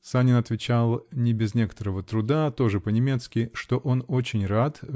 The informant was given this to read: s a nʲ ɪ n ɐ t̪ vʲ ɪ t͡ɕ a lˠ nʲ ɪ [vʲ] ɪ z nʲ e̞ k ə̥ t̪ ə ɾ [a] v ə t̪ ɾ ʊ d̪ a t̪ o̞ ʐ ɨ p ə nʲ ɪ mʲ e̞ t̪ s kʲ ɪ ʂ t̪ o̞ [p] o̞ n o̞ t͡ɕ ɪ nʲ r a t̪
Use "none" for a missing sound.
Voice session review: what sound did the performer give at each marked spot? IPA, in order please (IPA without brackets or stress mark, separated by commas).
bʲ, ə, ʔ